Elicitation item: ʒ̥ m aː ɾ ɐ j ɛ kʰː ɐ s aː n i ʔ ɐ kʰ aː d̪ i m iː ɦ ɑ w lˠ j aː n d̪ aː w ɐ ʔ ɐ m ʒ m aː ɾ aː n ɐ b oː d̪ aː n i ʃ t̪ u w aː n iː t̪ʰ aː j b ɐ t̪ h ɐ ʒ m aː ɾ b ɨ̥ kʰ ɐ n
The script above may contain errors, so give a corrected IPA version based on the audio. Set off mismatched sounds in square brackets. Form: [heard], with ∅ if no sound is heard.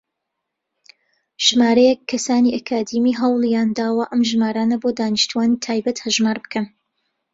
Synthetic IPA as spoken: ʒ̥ m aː ɾ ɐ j ɛ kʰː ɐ s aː n i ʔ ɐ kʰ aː d̪ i m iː ɦ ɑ w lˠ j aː n d̪ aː w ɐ ʔ ɐ m ʒ m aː ɾ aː n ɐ b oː d̪ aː n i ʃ t̪ u w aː n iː t̪ʰ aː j b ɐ t̪ h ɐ ʒ m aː ɾ b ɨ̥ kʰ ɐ n